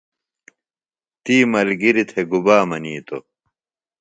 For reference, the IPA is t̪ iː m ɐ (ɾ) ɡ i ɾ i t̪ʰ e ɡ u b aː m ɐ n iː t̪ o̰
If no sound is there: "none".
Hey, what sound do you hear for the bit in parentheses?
l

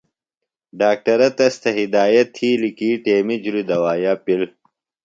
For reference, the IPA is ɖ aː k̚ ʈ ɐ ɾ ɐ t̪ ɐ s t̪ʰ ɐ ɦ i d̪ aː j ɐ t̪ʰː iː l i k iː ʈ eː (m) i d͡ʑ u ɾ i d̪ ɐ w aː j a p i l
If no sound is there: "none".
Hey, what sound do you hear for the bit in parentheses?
m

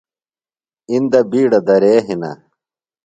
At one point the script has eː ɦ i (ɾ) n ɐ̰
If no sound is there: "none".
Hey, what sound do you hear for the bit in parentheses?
none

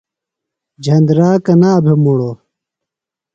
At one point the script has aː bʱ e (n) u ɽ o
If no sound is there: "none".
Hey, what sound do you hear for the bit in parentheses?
m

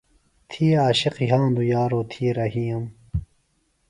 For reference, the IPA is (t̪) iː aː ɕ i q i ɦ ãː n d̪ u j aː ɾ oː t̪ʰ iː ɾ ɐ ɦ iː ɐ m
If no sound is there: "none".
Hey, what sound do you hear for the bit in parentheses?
t̪ʰ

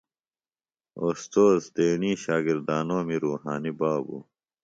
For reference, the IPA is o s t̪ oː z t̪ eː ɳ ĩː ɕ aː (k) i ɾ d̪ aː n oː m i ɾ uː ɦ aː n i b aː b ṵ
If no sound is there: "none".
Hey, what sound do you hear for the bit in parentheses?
ɡ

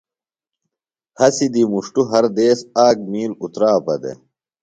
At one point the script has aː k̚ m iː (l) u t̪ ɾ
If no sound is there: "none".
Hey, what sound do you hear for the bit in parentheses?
l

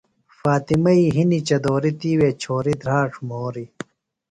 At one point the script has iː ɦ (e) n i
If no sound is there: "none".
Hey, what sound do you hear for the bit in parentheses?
i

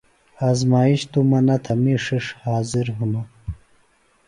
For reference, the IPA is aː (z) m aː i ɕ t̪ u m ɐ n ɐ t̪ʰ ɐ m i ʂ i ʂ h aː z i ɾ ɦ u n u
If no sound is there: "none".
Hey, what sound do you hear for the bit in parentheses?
z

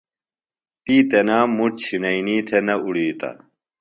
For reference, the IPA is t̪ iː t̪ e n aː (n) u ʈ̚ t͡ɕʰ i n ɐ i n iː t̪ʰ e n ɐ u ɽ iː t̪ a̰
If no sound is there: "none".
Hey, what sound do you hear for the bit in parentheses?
m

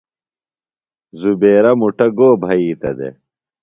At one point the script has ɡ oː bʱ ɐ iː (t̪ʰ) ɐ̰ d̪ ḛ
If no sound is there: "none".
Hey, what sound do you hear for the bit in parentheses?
t̪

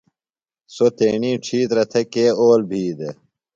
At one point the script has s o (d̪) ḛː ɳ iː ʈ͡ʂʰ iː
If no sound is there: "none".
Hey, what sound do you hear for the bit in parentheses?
t̪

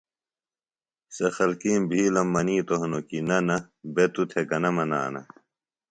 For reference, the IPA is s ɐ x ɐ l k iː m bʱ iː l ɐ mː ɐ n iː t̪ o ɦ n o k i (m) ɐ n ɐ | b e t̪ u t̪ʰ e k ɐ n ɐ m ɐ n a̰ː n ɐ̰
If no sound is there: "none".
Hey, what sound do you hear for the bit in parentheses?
n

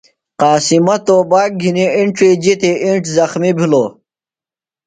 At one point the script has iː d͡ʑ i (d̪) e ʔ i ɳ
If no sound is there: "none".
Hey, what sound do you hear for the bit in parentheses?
t̪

